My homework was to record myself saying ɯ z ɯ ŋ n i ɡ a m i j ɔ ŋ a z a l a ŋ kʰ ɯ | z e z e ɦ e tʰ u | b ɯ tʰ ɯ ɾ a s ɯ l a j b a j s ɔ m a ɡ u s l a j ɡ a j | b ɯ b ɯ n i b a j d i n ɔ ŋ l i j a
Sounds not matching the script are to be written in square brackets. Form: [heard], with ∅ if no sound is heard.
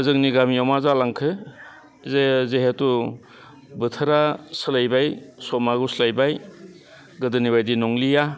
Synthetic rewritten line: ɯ z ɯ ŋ n i ɡ a m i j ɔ [m] a z a l a ŋ kʰ ɯ | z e z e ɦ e [t] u | b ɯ tʰ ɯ ɾ a s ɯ l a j b a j s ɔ m a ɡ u s l a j [b] a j | [ɡ] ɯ [d] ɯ n i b a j d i n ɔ ŋ l i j a